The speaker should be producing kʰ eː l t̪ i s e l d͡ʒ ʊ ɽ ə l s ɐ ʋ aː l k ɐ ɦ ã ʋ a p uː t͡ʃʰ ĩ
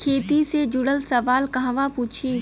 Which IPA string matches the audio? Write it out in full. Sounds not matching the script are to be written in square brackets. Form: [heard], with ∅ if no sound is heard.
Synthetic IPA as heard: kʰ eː [∅] t̪ i s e [∅] d͡ʒ ʊ ɽ ə l s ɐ ʋ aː l k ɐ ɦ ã ʋ a p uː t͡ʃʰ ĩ

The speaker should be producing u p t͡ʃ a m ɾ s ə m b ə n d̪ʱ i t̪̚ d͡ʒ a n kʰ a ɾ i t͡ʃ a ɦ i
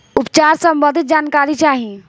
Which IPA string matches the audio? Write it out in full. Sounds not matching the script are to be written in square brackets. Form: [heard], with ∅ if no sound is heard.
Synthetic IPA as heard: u p t͡ʃ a [∅] ɾ s ə m b ə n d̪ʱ i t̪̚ d͡ʒ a n [k] a ɾ i t͡ʃ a ɦ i

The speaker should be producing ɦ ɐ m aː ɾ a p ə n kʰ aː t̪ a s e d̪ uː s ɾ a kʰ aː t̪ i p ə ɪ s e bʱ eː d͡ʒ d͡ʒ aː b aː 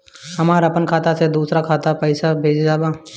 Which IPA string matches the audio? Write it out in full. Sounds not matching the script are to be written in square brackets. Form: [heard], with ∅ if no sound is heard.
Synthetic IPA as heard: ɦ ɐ m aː ɾ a p ə n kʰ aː t̪ a s e d̪ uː s ɾ a kʰ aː t̪ [a] p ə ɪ s [a] bʱ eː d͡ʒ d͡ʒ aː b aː

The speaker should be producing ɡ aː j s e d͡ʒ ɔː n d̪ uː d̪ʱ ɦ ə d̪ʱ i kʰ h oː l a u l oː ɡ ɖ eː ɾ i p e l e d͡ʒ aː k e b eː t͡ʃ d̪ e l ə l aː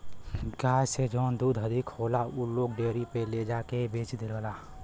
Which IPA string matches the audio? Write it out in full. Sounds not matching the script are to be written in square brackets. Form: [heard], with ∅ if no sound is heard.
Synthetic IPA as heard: ɡ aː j s e d͡ʒ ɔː n d̪ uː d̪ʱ ɦ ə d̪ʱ i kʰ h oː l a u l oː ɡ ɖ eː ɾ i p e l e d͡ʒ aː k e b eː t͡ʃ d̪ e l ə l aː

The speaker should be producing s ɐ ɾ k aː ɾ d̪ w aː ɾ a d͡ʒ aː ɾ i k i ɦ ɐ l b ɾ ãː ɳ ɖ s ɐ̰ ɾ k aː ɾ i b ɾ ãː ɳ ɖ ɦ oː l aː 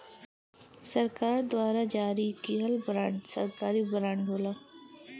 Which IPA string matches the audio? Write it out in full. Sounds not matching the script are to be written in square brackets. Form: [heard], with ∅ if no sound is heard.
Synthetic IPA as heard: s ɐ ɾ k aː ɾ d̪ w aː ɾ a d͡ʒ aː ɾ i k i ɦ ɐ l b ɾ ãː ɳ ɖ s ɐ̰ ɾ k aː ɾ i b ɾ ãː ɳ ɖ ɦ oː l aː

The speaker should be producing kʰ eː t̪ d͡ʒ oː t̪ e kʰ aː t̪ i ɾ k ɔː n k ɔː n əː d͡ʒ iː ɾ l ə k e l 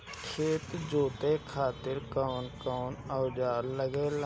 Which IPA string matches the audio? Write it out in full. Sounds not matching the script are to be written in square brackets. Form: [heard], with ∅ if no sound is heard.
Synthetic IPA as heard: kʰ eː t̪ d͡ʒ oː t̪ e kʰ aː t̪ [ɪ] ɾ k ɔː n k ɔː n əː d͡ʒ [aː] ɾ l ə [ɡ] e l

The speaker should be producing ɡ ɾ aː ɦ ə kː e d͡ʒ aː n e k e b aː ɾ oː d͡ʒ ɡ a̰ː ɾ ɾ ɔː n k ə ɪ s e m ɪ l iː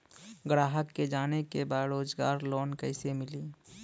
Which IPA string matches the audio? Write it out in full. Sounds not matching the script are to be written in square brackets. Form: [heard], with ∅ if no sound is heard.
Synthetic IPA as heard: ɡ ɾ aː ɦ ə kː e d͡ʒ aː n e k e b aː ɾ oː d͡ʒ ɡ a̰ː ɾ [l] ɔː n k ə ɪ s e m ɪ l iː

